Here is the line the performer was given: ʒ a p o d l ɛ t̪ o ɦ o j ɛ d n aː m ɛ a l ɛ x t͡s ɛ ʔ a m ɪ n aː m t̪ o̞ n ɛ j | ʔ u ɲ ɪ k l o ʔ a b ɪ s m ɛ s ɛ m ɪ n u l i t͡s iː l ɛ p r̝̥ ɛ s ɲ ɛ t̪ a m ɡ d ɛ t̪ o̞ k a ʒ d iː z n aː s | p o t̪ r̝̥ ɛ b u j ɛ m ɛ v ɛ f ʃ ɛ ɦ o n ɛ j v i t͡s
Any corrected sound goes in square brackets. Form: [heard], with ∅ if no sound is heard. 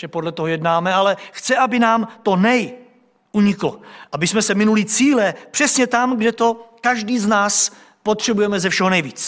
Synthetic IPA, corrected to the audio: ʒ [ɛ] p o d l ɛ t̪ o ɦ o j ɛ d n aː m ɛ a l ɛ x t͡s ɛ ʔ a [b] ɪ n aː m t̪ o̞ n ɛ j | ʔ u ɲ ɪ k l o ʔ a b ɪ s m ɛ s ɛ m ɪ n u l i t͡s iː l ɛ p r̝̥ ɛ s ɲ ɛ t̪ a m ɡ d ɛ t̪ o̞ k a ʒ d iː z n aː s | p o t̪ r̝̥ ɛ b u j ɛ m ɛ [z] ɛ f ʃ ɛ ɦ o n ɛ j v [iː] t͡s